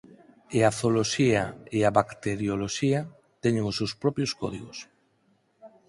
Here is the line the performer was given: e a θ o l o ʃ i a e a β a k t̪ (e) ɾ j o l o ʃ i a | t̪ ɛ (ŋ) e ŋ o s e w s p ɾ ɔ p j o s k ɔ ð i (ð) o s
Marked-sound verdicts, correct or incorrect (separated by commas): correct, incorrect, incorrect